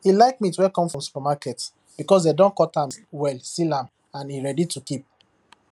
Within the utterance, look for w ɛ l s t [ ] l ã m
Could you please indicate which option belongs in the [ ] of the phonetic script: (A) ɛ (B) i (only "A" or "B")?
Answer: B